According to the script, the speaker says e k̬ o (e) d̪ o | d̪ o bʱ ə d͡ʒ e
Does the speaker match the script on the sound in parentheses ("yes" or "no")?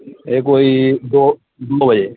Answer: no